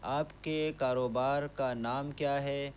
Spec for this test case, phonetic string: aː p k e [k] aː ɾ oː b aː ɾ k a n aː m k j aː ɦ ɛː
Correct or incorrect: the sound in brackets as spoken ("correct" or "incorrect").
correct